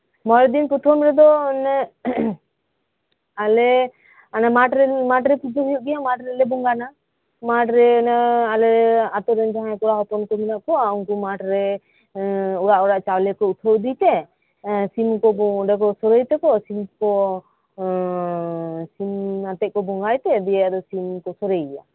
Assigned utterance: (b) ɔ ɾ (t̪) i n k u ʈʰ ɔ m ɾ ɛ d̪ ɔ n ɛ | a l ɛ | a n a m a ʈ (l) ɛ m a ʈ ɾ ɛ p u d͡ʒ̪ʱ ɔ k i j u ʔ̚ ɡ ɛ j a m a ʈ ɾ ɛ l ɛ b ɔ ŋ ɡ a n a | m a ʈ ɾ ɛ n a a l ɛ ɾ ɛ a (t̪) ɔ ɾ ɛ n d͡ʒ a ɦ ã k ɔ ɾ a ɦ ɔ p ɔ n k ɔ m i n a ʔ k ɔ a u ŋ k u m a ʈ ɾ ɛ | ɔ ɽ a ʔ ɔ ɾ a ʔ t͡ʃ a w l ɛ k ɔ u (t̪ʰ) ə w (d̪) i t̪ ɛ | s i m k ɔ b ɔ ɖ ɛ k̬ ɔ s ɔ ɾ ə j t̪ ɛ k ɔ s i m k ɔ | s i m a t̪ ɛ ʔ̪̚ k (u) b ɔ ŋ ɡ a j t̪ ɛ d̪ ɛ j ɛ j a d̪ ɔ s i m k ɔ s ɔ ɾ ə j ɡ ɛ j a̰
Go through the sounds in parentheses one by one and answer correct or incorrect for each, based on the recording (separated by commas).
incorrect, incorrect, incorrect, correct, correct, correct, incorrect